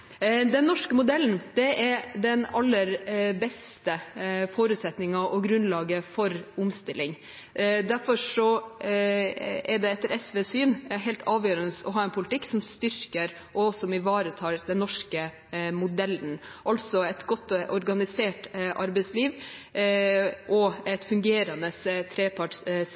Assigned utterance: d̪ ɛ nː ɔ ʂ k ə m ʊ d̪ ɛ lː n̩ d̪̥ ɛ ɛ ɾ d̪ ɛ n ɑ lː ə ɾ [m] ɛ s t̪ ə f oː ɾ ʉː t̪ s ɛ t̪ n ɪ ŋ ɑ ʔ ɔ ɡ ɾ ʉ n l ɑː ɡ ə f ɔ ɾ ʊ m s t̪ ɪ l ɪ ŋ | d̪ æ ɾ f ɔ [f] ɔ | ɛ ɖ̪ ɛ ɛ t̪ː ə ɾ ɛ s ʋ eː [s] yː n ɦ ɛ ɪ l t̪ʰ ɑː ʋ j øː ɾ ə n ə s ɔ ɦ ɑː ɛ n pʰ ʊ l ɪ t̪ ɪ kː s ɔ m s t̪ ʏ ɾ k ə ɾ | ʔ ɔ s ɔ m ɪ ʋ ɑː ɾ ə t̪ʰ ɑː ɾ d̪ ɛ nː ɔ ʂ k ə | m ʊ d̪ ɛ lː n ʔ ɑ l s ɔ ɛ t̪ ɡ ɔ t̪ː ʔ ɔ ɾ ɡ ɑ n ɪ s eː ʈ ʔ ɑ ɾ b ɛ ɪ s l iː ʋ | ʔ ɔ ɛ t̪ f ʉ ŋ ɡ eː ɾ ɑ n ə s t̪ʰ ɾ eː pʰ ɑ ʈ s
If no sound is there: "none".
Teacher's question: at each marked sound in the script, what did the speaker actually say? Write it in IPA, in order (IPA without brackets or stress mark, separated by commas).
b, ʂ, s